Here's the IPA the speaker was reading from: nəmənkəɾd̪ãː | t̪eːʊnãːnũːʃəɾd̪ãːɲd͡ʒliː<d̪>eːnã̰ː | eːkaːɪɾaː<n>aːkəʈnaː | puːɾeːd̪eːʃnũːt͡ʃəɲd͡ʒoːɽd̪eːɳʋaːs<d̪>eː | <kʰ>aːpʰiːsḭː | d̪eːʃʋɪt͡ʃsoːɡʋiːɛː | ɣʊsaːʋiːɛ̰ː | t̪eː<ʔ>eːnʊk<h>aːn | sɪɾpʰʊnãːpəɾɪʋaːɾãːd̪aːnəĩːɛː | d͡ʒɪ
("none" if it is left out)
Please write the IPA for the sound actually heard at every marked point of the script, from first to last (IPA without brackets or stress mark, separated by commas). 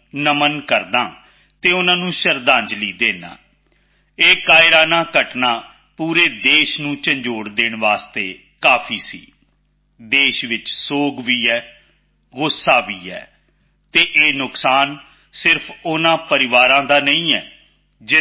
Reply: d̪, n, t̪, k, ʔ, s